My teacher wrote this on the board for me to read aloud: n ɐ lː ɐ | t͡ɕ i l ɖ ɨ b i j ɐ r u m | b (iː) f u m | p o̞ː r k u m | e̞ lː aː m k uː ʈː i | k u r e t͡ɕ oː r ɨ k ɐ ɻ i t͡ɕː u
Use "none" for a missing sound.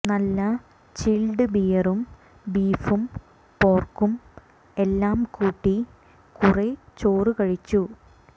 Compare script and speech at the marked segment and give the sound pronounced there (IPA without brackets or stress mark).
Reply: iː